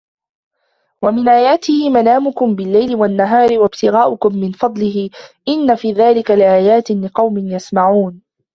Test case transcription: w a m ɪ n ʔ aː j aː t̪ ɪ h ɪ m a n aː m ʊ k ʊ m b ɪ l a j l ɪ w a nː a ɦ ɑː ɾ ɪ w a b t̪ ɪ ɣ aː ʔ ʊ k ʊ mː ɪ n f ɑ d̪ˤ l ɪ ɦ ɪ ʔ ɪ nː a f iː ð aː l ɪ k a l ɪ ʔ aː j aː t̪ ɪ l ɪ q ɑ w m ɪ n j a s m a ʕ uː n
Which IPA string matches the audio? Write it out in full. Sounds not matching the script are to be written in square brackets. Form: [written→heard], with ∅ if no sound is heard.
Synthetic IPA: w a m ɪ n ʔ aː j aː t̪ ɪ h ɪ m a n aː m ʊ k ʊ m b ɪ [l→lː] a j l ɪ w a nː a ɦ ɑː ɾ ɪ w a b t̪ ɪ ɣ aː ʔ ʊ k ʊ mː ɪ n f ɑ d̪ˤ l ɪ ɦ ɪ ʔ ɪ nː a f iː ð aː l ɪ k a l ɪ ʔ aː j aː t̪ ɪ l ɪ q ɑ w m ɪ n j a s m a ʕ uː n